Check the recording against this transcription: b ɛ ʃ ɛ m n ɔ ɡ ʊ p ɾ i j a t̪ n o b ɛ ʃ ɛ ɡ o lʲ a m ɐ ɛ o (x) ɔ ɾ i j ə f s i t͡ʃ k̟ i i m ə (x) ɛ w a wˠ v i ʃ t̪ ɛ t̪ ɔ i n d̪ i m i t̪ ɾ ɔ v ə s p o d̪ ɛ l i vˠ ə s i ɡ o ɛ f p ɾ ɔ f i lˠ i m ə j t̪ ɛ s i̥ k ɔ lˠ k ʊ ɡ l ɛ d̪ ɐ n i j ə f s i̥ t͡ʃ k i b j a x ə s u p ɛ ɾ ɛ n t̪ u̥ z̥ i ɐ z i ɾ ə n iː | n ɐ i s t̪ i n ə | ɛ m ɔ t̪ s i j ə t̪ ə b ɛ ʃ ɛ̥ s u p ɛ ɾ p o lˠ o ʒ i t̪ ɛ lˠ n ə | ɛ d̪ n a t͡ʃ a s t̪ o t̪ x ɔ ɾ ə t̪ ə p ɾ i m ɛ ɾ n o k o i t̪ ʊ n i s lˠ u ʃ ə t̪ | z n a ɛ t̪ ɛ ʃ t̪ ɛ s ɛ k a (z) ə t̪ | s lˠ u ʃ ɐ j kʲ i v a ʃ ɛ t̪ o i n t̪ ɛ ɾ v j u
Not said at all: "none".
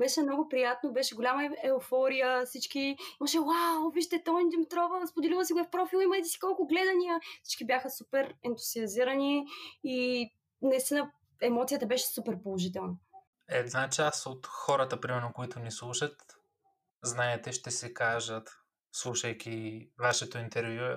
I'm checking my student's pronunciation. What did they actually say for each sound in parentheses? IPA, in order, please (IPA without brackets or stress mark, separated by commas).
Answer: f, ʃ, ʒ